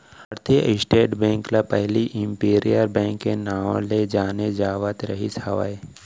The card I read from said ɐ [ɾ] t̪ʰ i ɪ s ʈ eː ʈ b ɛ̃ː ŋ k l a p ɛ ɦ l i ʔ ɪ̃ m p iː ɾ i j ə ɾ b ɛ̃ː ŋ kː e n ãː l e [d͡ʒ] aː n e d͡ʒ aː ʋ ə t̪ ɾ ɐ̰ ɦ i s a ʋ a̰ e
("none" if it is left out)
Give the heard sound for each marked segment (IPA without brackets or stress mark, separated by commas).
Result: ɾ, d͡ʒ